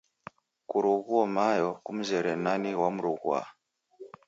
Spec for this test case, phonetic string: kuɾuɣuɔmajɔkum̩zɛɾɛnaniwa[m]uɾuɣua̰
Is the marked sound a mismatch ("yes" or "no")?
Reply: no